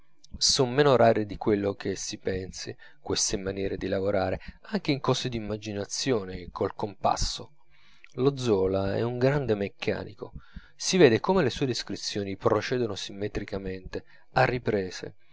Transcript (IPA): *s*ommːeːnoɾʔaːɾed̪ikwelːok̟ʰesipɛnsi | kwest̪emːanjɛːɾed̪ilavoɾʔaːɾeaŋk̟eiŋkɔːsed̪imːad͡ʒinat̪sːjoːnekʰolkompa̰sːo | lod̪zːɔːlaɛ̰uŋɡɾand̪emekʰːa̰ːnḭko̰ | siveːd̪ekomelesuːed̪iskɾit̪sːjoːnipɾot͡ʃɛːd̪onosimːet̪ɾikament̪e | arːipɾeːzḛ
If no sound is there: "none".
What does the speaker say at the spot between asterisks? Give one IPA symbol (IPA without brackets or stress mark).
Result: s